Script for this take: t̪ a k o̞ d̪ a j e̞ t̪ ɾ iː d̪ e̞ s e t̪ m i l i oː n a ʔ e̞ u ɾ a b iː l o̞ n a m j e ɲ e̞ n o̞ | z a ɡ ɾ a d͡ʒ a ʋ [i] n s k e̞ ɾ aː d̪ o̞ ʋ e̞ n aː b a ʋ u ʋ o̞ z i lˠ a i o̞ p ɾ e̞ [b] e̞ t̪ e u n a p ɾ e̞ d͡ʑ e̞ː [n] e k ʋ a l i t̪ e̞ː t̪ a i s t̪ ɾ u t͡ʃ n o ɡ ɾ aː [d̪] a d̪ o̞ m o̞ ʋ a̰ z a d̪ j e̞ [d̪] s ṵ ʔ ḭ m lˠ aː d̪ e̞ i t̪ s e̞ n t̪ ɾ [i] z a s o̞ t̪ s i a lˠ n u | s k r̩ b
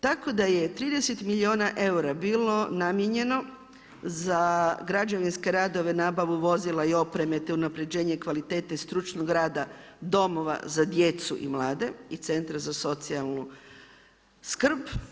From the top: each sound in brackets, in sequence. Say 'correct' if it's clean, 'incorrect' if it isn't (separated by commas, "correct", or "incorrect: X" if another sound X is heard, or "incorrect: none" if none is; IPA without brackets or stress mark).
correct, incorrect: m, incorrect: ɲ, correct, incorrect: t̪, incorrect: a